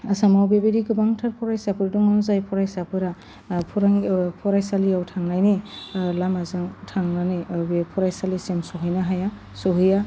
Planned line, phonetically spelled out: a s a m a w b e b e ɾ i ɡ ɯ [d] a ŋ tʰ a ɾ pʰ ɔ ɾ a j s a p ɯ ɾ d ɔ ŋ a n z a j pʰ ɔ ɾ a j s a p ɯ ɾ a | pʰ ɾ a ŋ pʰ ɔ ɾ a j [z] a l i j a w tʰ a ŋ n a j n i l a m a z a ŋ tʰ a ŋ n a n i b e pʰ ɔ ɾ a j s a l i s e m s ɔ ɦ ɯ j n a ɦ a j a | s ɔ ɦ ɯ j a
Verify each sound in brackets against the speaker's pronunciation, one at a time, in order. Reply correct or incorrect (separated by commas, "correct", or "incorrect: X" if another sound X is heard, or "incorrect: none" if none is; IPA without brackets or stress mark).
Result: incorrect: b, incorrect: s